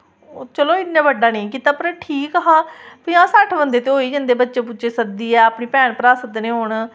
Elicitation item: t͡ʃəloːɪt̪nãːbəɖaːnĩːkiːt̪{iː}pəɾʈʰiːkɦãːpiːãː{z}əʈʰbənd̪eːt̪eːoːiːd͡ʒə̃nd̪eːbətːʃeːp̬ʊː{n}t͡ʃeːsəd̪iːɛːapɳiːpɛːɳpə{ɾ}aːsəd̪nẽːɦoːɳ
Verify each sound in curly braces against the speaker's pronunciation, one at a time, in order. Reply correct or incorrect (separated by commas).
incorrect, incorrect, incorrect, correct